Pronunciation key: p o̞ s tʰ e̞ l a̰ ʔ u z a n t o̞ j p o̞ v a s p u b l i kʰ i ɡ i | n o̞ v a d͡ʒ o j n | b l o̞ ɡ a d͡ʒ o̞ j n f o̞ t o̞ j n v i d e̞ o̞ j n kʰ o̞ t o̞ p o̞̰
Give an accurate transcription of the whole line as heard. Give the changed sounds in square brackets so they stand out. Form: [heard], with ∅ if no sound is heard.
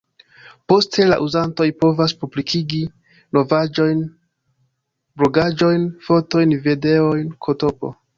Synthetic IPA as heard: p o̞ s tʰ e̞ l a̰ ʔ u z a n t o̞ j p o̞ v a s p u b l i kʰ i ɡ i | n o̞ v a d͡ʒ o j n | b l o̞ ɡ a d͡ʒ o̞ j n f o̞ t o̞ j n v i d e̞ o̞ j n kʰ o̞ t o̞ p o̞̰